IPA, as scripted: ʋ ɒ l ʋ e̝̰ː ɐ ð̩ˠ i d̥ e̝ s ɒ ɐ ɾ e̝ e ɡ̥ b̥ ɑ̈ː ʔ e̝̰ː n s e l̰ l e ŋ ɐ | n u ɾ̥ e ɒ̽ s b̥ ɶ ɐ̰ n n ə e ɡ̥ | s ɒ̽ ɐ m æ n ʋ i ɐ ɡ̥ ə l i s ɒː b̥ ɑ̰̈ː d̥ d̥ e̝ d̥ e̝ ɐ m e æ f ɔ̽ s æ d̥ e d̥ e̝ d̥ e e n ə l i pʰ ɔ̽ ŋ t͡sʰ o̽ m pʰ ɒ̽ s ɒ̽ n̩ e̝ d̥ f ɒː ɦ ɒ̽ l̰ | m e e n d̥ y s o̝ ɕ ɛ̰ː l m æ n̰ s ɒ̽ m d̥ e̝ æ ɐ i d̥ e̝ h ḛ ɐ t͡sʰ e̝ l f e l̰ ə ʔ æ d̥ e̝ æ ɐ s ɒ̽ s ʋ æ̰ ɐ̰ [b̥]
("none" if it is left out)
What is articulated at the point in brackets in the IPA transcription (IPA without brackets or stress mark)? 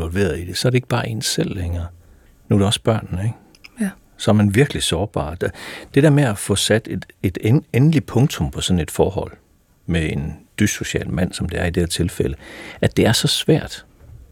d̥